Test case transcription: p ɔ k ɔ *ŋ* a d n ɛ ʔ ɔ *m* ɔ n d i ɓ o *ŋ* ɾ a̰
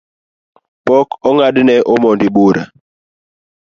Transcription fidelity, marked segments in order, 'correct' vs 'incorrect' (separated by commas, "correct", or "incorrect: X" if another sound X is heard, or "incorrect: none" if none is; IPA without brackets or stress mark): correct, correct, incorrect: none